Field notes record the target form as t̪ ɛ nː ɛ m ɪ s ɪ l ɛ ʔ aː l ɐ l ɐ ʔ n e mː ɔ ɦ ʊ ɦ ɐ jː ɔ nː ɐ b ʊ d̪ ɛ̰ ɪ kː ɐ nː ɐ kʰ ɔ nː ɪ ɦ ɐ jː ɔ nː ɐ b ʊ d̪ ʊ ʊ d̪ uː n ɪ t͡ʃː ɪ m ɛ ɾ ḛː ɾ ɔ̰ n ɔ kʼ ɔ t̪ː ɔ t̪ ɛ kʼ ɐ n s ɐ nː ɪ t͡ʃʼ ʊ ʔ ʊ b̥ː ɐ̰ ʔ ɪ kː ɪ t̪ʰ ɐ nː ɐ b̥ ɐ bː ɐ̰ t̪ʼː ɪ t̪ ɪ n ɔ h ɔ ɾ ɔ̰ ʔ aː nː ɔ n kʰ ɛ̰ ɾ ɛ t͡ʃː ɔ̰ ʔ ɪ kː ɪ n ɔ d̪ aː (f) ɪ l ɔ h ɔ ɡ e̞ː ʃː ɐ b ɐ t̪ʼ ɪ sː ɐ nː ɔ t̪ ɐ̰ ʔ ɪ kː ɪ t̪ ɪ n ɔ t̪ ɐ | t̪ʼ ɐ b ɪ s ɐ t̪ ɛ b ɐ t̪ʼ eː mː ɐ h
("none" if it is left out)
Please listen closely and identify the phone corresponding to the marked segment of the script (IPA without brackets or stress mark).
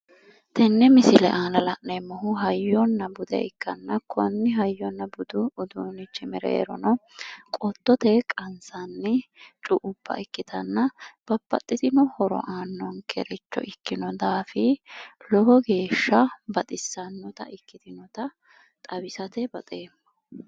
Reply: f